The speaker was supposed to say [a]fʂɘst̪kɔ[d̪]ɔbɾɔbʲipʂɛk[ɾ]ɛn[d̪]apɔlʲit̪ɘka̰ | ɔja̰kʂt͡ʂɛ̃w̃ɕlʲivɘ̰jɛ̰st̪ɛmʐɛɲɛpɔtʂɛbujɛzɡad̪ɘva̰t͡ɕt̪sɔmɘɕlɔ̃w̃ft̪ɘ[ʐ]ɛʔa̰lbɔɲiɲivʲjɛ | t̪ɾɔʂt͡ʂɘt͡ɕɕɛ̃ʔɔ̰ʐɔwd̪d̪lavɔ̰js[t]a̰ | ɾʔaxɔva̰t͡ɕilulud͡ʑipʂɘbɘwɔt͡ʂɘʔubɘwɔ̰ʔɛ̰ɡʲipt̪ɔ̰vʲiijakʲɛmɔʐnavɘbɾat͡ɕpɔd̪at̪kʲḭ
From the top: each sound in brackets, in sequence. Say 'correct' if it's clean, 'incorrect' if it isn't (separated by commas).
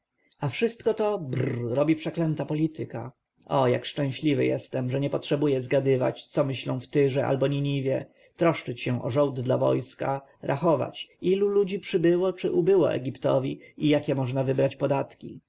correct, incorrect, incorrect, incorrect, correct, incorrect